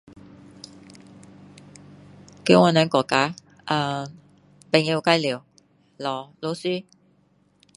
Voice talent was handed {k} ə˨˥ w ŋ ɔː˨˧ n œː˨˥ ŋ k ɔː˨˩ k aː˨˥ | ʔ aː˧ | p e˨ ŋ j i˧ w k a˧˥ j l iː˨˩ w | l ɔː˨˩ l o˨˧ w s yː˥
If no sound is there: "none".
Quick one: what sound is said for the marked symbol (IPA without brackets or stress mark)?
k